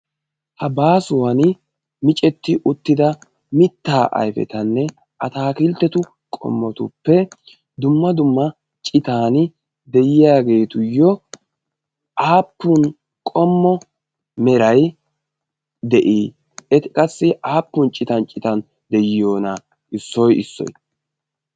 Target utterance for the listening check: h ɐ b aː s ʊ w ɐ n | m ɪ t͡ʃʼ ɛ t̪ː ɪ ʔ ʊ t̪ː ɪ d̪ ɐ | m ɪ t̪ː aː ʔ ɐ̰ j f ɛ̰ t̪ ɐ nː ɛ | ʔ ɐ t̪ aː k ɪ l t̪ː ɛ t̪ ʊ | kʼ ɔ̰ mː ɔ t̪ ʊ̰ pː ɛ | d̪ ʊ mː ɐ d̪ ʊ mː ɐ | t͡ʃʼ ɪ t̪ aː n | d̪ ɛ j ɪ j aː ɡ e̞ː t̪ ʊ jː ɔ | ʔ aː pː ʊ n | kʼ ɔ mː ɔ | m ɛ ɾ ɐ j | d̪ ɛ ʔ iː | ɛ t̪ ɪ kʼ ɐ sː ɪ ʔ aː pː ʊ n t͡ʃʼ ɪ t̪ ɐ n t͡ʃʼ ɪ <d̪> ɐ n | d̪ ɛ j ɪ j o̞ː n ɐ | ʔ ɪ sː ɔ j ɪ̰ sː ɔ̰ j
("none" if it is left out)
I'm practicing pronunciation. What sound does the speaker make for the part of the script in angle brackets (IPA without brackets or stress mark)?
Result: t̪